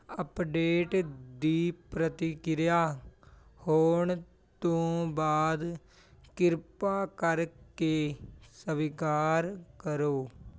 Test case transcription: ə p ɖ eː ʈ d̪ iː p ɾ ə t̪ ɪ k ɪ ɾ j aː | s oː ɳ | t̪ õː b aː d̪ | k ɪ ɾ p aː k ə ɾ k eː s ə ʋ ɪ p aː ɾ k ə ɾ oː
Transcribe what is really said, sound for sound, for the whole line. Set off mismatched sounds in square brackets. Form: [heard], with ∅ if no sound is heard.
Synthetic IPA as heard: ə p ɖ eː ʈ d̪ iː p ɾ ə t̪ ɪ k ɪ ɾ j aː | [h] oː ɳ | t̪ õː b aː d̪ | k ɪ ɾ p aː k ə ɾ k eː s ə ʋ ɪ [k] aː ɾ k ə ɾ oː